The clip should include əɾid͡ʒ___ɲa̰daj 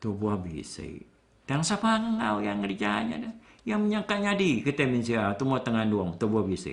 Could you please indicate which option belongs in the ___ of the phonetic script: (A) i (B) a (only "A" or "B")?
B